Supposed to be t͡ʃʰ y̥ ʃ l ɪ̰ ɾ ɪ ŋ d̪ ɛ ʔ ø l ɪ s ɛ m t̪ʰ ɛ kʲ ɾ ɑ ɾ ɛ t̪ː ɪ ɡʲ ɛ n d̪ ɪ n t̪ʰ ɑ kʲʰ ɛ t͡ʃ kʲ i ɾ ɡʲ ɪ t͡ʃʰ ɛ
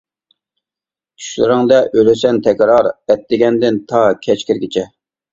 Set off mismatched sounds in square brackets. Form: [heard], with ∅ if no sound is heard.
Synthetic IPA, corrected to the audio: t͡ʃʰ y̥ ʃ l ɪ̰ ɾ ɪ ŋ d̪ ɛ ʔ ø l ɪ s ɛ [n] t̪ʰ ɛ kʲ ɾ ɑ ɾ ɛ t̪ː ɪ ɡʲ ɛ n d̪ ɪ n t̪ʰ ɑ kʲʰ ɛ t͡ʃ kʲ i ɾ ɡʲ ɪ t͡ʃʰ ɛ